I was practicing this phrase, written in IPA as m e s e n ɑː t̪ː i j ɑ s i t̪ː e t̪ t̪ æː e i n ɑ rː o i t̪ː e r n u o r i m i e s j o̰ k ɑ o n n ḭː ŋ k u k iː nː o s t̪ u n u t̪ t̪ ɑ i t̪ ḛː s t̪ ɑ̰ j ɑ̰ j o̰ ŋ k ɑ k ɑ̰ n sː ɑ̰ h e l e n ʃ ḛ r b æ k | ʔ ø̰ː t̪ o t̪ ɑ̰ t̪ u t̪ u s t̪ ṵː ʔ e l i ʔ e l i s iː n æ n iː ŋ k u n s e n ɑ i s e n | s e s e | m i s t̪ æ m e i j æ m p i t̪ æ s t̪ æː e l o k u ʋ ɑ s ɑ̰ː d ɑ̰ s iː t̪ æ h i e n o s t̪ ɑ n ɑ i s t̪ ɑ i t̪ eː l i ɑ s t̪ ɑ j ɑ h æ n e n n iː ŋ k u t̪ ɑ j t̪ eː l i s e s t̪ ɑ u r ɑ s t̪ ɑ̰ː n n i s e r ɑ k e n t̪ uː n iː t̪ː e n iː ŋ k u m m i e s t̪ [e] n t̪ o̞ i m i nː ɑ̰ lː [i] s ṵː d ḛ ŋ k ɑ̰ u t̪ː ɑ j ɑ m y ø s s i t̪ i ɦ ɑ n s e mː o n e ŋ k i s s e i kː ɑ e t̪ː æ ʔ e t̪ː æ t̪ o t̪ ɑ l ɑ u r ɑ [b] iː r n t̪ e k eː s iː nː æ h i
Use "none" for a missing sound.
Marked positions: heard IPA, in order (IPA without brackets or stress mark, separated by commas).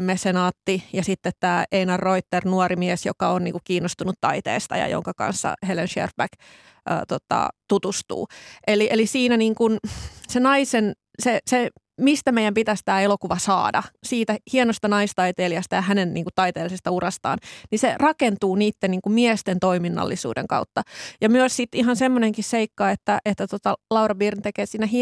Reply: e, i, b